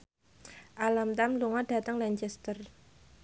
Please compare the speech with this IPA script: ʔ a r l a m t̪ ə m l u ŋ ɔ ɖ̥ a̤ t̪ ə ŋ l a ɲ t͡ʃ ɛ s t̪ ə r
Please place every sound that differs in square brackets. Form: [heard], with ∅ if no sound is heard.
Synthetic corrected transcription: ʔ a [∅] l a m t̪ [a] m l u ŋ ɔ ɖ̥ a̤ t̪ ə ŋ l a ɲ t͡ʃ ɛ s t̪ ə r